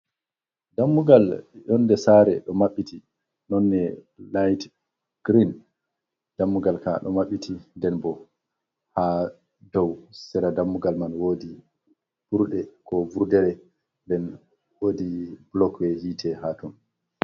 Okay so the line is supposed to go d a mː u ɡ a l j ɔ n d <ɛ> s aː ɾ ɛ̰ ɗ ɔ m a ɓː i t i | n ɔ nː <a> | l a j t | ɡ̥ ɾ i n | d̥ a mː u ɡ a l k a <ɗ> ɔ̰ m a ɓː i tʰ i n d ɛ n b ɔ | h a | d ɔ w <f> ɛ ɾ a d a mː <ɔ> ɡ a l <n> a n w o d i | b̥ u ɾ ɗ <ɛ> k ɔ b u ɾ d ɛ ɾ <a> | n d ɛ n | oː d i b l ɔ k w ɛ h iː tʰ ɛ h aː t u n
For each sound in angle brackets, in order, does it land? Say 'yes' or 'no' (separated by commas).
yes, no, yes, no, no, no, yes, no